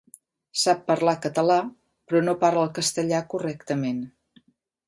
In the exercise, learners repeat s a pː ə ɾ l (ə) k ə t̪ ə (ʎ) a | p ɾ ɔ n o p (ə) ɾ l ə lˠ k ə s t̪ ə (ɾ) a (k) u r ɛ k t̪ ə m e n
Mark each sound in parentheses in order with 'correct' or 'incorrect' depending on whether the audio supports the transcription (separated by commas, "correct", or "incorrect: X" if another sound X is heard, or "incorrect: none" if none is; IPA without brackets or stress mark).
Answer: incorrect: a, incorrect: l, incorrect: a, incorrect: ʎ, correct